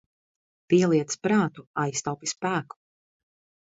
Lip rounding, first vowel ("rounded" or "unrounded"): unrounded